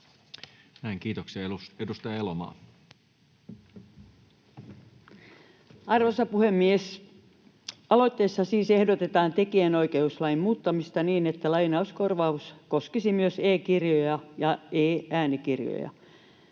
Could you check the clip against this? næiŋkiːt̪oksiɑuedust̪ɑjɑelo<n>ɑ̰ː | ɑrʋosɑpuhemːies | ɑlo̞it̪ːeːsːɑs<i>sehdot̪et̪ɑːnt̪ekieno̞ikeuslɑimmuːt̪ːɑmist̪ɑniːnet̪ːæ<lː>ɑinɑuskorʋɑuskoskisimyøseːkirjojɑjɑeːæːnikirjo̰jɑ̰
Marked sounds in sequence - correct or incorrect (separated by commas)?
incorrect, incorrect, incorrect